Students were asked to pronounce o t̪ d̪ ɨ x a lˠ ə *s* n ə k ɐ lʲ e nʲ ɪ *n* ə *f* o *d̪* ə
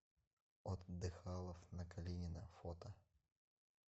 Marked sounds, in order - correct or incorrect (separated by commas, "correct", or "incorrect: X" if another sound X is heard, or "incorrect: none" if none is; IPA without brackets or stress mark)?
incorrect: f, correct, correct, incorrect: t̪